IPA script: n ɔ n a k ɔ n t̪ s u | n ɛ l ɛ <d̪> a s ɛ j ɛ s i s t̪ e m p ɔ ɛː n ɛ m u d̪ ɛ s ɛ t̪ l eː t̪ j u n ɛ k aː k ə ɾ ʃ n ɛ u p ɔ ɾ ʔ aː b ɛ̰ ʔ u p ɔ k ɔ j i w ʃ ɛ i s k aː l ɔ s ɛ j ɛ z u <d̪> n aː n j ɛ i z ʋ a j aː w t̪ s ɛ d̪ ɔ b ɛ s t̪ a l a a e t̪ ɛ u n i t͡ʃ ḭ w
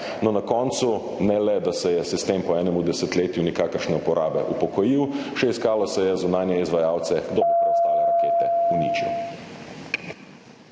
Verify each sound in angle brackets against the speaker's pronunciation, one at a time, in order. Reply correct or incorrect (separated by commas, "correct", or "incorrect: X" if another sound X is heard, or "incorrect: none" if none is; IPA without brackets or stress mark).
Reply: correct, incorrect: none